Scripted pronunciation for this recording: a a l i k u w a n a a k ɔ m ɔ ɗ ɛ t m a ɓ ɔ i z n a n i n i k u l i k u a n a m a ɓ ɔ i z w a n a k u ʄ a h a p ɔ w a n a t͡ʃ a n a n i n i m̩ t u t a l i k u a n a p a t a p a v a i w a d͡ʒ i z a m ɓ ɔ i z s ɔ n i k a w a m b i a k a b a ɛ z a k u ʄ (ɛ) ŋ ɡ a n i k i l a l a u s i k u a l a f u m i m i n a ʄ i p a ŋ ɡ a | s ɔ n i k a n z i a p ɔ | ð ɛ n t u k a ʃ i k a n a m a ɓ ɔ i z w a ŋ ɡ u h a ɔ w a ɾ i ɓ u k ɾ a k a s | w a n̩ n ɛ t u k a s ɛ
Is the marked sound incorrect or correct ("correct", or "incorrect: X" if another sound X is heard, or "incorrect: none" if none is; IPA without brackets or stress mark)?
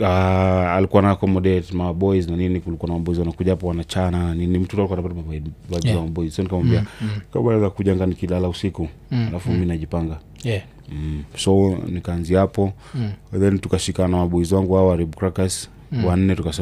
incorrect: a